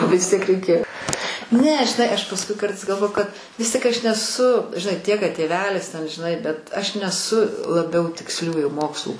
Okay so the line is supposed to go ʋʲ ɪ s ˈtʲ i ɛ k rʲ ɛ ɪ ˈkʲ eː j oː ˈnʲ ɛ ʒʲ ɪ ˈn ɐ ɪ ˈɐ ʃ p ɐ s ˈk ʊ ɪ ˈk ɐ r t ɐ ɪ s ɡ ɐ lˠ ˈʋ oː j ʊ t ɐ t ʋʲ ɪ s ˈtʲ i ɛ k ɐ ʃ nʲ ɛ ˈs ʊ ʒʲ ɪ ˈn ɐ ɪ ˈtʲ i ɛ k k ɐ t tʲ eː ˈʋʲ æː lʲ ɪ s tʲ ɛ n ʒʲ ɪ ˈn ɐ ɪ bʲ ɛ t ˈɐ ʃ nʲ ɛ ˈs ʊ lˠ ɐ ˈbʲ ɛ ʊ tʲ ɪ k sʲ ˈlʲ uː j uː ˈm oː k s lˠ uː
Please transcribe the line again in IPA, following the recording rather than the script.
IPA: ʋʲ ɪ s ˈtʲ i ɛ k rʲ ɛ ɪ ˈkʲ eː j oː ˈnʲ ɛ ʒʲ ɪ ˈn ɐ ɪ ˈɐ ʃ p ɐ s ˈk ʊ ɪ ˈk ɐ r t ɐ ɪ s ɡ ɐ lˠ ˈʋ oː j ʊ k ɐ t ʋʲ ɪ s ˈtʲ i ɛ k ɐ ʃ nʲ ɛ ˈs ʊ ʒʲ ɪ ˈn ɐ ɪ ˈtʲ i ɛ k k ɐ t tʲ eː ˈʋʲ æː lʲ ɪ s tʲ ɛ n ʒʲ ɪ ˈn ɐ ɪ bʲ ɛ t ˈɐ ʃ nʲ ɛ ˈs ʊ lˠ ɐ ˈbʲ ɛ ʊ tʲ ɪ k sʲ ˈlʲ uː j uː ˈm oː k s lˠ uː